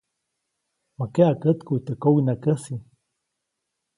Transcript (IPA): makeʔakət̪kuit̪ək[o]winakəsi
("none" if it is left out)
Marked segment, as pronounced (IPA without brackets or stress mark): o